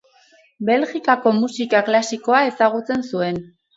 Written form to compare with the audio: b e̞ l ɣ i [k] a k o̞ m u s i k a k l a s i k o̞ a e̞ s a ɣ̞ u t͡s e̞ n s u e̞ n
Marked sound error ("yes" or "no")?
no